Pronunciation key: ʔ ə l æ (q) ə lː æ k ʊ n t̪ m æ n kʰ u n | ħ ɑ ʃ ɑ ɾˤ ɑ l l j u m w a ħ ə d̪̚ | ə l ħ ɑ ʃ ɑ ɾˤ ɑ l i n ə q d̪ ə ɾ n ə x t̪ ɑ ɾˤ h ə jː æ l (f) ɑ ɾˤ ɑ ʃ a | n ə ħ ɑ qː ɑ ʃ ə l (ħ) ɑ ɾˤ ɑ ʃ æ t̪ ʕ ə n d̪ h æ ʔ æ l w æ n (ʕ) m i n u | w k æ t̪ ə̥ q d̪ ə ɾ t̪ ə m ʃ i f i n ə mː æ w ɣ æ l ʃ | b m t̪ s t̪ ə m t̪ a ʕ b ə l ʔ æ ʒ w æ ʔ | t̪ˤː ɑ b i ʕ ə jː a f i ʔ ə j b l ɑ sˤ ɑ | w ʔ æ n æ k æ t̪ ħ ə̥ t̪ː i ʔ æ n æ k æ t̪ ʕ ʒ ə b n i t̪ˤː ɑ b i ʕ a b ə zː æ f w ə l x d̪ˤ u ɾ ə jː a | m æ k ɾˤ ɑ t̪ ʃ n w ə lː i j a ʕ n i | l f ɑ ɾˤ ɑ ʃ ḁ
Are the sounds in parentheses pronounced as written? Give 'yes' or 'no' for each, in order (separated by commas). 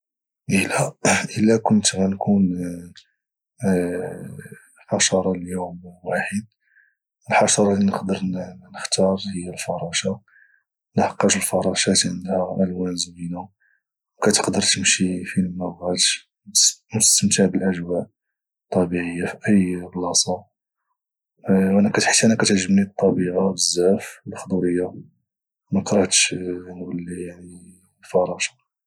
no, yes, no, no